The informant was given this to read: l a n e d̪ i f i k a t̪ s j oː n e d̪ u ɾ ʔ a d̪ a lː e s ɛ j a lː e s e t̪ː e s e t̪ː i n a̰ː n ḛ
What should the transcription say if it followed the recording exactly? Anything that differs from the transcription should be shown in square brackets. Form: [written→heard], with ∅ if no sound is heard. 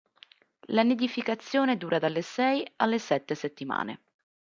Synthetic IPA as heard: l a n e d̪ i f i k a t̪ [s→sː] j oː n e d̪ [u→uː] ɾ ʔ a d̪ a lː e s ɛ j a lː e s [e→ɛ] t̪ː e s e t̪ː i [n→m] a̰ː n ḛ

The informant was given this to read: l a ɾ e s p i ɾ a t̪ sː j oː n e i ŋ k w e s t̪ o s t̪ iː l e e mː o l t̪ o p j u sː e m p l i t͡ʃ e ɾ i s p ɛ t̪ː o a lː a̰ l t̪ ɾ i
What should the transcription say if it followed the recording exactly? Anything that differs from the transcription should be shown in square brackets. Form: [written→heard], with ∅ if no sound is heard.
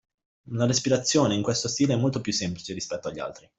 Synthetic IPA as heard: l a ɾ e s p i ɾ a t̪ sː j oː n e i ŋ k w e s t̪ o s t̪ iː l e [e→ɛ] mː o l t̪ o p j u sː e m p l i t͡ʃ e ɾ i s p ɛ t̪ː o a [lː→ʎː] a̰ l t̪ ɾ i

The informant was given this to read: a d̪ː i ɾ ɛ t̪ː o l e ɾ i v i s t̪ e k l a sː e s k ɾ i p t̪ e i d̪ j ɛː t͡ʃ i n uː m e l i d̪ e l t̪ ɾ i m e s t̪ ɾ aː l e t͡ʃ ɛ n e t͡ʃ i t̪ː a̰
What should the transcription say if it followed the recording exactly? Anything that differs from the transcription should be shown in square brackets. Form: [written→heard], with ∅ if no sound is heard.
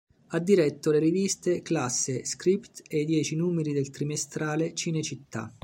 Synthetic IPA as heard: a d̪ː i ɾ ɛ t̪ː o l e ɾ i v i s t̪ e k l a sː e s k ɾ i p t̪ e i d̪ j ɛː t͡ʃ i n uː m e [l→ɾ] i d̪ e l t̪ ɾ i m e s t̪ ɾ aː l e t͡ʃ [ɛ→i] n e t͡ʃ i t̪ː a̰

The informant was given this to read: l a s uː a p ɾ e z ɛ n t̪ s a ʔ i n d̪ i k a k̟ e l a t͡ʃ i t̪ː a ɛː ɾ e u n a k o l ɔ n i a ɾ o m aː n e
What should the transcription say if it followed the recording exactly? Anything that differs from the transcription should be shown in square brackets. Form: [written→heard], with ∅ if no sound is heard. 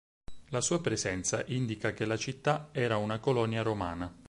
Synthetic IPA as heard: l a s uː a p ɾ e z ɛ n t̪ s a ʔ i n d̪ i k a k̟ e l a t͡ʃ i t̪ː a ɛː ɾ [e→a] u n a k o l ɔ n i a ɾ o m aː n [e→a]

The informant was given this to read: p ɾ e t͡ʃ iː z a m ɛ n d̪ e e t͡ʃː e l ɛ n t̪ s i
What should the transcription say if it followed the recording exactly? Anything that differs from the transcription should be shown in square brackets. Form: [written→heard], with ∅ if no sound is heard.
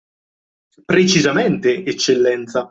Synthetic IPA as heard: p ɾ e t͡ʃ [iː→i] z a m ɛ n [d̪→t̪] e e t͡ʃː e [l→lː] ɛ n t̪ s [i→a]

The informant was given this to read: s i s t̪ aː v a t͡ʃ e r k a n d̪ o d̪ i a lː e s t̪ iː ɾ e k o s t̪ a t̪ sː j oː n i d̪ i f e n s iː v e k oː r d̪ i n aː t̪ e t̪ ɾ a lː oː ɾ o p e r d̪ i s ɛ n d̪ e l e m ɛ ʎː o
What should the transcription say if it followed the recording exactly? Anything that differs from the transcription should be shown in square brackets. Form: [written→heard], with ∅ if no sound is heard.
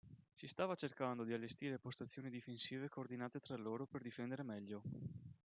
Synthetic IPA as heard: s i s t̪ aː v a t͡ʃ e r k a n d̪ o d̪ i a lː e s t̪ iː ɾ e [k→p] o s t̪ a t̪ sː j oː n i d̪ i f e n s iː v e k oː r d̪ i n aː t̪ e t̪ ɾ a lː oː ɾ o p e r d̪ i [s→f] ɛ n d̪ e [l→ɾ] e m ɛ ʎː o

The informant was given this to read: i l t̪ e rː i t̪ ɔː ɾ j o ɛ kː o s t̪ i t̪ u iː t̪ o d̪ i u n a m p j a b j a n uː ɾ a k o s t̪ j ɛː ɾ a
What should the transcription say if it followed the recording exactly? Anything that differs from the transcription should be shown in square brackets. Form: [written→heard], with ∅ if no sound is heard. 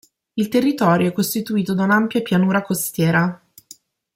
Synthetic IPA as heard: i l t̪ e rː i t̪ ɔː ɾ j o ɛ kː o s t̪ i t̪ u iː t̪ o d̪ [i→a] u n a m p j a [b→p] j a n uː ɾ a k o s t̪ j ɛː ɾ a

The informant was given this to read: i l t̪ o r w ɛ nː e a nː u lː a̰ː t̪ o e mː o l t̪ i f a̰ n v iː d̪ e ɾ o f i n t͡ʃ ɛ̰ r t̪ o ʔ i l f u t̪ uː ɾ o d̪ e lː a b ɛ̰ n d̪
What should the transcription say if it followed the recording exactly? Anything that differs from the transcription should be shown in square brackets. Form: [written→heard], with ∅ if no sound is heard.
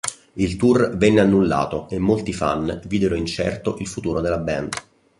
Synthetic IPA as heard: i l t̪ [o→u] r [w→v] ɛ nː e a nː u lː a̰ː t̪ o e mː o l t̪ i f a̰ n v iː d̪ e ɾ o [f→∅] i n t͡ʃ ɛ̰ r t̪ o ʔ i l f u t̪ uː ɾ o d̪ e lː a b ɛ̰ n d̪

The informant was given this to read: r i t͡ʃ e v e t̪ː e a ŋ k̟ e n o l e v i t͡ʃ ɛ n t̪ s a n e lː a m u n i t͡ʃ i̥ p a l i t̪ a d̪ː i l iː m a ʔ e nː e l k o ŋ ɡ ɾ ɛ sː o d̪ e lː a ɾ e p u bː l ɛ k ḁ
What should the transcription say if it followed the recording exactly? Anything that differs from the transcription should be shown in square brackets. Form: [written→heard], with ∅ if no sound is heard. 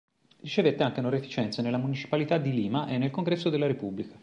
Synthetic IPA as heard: r i t͡ʃ e v e t̪ː e a ŋ k̟ e n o [l→ɾ] e [v→f] i t͡ʃ ɛ n t̪ s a n e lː a m u n i t͡ʃ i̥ p a l i t̪ a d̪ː i l iː m a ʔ e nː e l k o ŋ ɡ ɾ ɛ sː o d̪ e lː a ɾ e p u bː l [ɛ→i] k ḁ

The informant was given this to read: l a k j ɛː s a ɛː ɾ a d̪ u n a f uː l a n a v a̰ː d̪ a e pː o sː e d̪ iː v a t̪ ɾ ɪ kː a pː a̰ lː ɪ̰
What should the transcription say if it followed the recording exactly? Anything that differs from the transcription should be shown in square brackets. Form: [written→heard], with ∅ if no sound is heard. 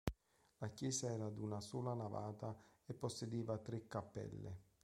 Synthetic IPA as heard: l a k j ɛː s a ɛː ɾ a d̪ u n a [f→s] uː l a n a v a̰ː [d̪→t̪] a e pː o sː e d̪ iː v a t̪ ɾ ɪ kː a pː [a̰→ɛ̰] lː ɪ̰

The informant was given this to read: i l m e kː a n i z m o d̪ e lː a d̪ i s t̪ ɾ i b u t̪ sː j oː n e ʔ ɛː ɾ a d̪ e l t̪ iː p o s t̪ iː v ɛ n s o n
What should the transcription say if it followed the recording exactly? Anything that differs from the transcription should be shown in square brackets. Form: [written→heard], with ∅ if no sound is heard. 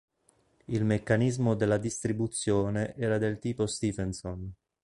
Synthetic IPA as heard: i l m e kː a n i z m o d̪ e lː a d̪ i s t̪ ɾ i b u t̪ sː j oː n e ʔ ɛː ɾ a d̪ e l t̪ iː p o s t̪ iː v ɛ n s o n

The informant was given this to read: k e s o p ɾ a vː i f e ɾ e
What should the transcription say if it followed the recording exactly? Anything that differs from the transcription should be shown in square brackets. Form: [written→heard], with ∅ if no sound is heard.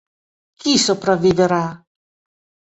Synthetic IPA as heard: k [e→i] s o p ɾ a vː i [f→v] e ɾ [e→a]

